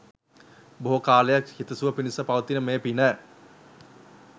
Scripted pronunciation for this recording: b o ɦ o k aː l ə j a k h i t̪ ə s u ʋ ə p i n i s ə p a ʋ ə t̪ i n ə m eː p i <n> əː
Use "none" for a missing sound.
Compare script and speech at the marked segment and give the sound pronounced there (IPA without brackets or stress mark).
n